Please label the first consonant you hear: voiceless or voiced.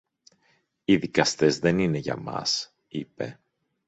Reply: voiced